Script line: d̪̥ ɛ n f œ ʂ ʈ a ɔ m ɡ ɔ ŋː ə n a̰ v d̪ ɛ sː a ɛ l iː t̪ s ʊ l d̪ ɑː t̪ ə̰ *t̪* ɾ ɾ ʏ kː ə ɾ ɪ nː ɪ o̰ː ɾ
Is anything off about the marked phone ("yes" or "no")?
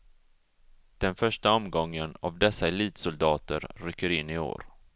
yes